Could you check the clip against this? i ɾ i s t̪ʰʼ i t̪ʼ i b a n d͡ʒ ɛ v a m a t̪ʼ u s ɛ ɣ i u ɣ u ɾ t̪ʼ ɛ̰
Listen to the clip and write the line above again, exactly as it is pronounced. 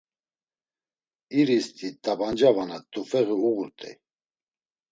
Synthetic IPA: i ɾ i s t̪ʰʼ i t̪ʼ a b a n d͡ʒ a v a n a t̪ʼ u f ɛ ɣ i u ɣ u ɾ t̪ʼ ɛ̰